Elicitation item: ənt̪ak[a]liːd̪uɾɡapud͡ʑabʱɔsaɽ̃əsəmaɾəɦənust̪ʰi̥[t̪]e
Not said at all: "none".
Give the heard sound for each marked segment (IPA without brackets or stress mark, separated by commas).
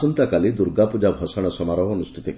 a, t̪